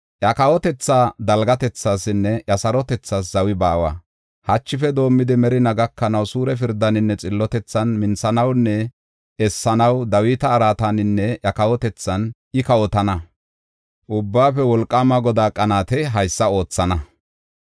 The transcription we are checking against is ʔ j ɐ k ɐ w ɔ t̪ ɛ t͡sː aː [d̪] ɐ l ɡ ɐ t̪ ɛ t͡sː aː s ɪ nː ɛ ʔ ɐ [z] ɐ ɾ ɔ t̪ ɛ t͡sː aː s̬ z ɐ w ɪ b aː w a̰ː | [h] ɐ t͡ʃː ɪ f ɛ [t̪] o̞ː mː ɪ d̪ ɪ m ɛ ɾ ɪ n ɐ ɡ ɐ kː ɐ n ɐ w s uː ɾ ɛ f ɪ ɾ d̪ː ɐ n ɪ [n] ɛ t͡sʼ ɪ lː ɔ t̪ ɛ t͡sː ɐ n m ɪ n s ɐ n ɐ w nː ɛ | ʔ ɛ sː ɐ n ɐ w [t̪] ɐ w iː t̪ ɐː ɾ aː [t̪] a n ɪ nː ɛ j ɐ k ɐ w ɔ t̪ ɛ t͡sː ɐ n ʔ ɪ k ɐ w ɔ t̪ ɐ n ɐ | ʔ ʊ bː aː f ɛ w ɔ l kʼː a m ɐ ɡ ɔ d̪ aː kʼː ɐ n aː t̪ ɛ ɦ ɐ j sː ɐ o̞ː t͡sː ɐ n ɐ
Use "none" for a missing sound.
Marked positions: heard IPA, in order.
d̪, s, h, d̪, nː, d̪, t̪

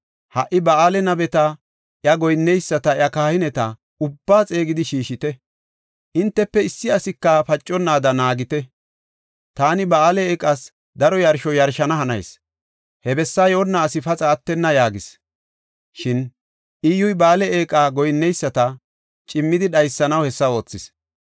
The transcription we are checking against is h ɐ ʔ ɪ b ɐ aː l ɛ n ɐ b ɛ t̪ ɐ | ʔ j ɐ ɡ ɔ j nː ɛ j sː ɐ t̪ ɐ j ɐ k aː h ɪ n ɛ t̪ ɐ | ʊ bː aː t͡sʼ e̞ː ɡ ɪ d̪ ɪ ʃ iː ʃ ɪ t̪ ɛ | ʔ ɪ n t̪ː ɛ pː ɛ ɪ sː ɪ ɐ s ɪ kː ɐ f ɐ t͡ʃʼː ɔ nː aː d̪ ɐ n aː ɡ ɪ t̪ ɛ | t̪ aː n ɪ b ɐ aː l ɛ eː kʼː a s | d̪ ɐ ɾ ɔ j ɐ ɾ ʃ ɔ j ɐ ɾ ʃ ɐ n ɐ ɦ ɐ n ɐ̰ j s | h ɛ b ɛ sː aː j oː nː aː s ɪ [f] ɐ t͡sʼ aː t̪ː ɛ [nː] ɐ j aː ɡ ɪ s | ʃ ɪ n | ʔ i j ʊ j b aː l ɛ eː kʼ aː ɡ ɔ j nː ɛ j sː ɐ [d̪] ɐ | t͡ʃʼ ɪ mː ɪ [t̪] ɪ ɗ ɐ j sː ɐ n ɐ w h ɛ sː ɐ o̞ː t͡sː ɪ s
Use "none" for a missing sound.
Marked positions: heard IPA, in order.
f, nː, t̪, d̪

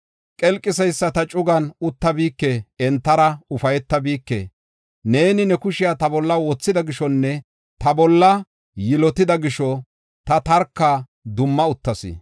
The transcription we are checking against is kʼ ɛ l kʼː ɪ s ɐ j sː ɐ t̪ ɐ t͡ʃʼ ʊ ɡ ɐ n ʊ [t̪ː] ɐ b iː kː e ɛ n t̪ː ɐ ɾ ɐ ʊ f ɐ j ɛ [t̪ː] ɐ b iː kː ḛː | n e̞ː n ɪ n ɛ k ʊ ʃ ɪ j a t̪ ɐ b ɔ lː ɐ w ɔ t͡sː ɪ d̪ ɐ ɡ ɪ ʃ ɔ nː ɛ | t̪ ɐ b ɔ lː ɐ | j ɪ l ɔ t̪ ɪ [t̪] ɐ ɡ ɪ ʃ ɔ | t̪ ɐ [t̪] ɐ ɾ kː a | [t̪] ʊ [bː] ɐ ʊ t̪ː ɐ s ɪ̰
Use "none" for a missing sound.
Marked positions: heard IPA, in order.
t̪ː, t̪ː, d̪, t̪, d̪, mː

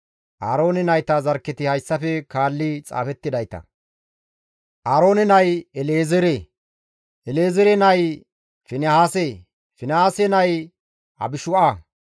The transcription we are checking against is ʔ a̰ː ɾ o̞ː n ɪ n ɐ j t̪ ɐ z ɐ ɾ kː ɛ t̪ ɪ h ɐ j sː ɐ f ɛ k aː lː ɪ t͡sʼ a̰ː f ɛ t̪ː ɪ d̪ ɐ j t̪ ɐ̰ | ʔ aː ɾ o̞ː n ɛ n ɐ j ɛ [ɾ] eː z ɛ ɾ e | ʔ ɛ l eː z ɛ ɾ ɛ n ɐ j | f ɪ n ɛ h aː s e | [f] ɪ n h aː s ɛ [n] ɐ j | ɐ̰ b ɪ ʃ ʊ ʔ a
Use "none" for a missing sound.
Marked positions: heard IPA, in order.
l, f, n

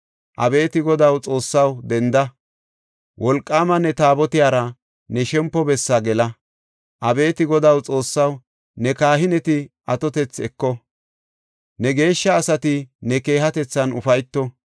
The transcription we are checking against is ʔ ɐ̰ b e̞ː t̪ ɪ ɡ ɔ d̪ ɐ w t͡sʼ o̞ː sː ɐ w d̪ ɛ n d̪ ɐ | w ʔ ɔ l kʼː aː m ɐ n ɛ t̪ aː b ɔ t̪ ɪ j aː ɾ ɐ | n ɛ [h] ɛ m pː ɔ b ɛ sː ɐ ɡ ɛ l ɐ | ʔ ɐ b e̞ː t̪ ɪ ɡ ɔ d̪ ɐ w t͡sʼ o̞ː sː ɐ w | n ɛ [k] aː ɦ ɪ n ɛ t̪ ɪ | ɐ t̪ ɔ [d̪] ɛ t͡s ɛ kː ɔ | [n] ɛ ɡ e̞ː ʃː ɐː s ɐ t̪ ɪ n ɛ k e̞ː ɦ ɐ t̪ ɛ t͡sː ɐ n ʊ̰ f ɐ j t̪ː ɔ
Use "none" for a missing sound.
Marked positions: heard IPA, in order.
ʃ, k, t̪, n

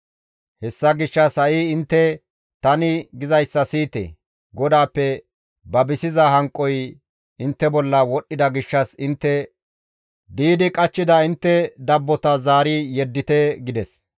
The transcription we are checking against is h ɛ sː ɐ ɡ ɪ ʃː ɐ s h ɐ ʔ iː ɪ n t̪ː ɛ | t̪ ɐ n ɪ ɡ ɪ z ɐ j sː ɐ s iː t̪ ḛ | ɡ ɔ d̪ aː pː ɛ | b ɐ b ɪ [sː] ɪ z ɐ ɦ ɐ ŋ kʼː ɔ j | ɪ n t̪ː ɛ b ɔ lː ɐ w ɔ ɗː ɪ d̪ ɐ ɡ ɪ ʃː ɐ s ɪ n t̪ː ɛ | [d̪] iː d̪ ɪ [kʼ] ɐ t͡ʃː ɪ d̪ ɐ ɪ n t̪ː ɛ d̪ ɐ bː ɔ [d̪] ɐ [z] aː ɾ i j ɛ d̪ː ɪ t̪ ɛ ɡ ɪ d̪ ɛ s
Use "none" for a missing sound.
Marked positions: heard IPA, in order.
s, d̪, kʼ, t̪, z

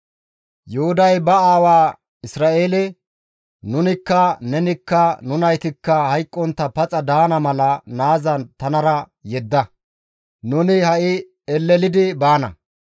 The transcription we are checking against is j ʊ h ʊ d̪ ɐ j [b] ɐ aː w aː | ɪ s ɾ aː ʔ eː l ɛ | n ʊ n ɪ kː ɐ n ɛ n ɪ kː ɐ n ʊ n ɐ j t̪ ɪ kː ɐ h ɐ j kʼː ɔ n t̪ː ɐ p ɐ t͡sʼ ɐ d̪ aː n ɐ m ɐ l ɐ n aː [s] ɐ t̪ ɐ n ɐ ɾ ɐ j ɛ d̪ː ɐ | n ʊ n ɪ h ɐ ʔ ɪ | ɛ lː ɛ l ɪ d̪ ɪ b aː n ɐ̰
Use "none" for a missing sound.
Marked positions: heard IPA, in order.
b, z

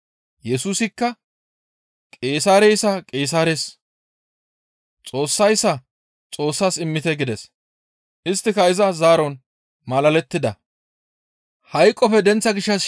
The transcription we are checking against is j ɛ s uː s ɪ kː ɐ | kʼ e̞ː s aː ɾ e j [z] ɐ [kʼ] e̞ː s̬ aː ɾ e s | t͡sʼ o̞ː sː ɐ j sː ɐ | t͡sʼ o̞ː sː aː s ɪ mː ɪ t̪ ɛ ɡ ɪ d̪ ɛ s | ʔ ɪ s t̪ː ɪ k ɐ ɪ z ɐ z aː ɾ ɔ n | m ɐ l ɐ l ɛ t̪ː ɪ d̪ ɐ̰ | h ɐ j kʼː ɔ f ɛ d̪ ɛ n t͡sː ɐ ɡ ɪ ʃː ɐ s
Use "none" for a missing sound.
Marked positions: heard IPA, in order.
s, kʼ

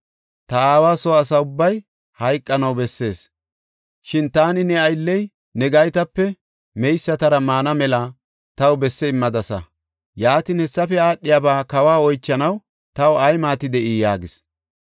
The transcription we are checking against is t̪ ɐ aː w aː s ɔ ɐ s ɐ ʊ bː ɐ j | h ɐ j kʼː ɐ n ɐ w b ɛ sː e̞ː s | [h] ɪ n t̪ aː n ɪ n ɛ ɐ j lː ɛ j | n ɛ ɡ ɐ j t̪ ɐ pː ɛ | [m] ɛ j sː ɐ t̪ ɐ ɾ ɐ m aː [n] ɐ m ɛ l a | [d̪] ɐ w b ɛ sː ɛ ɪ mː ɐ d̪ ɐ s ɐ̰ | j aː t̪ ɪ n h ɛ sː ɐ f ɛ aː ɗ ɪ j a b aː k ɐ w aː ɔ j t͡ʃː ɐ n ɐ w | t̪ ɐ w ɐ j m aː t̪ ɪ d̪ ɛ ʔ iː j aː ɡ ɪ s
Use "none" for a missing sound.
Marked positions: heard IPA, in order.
ʃ, m, n, t̪

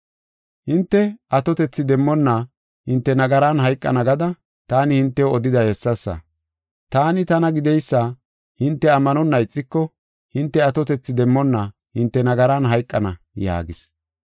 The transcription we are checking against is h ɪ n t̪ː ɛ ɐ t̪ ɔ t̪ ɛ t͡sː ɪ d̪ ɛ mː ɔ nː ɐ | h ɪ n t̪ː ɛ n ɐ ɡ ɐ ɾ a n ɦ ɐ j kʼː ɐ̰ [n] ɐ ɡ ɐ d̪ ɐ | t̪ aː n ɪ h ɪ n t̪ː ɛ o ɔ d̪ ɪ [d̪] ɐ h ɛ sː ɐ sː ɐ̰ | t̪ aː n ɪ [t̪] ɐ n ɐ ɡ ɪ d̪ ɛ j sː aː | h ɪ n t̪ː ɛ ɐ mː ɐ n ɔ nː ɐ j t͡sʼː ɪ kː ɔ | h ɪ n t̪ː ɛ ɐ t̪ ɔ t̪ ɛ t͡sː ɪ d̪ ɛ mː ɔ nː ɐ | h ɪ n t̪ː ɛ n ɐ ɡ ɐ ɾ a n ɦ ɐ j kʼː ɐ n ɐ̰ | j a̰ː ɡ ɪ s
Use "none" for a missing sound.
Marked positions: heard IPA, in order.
n, d̪, t̪

